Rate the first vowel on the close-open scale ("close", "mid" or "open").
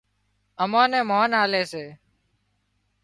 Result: mid